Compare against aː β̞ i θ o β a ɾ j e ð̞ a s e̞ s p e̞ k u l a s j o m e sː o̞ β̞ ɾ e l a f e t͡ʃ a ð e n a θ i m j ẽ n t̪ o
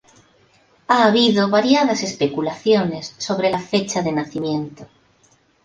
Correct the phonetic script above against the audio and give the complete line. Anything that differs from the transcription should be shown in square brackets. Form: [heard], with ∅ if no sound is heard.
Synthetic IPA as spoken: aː β̞ i [ð] o β a ɾ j [a] ð̞ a s e̞ s p e̞ k u l a [θ] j o [n] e sː o̞ β̞ ɾ e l a f e t͡ʃ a ð e n a θ i m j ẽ n t̪ o